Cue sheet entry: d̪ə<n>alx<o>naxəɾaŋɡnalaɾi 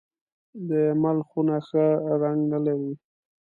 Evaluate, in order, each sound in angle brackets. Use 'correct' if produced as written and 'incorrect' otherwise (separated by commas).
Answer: incorrect, incorrect